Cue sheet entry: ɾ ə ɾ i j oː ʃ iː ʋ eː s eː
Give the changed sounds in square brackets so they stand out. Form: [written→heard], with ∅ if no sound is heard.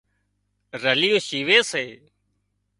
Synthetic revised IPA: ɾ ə [ɾ→l] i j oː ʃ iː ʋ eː s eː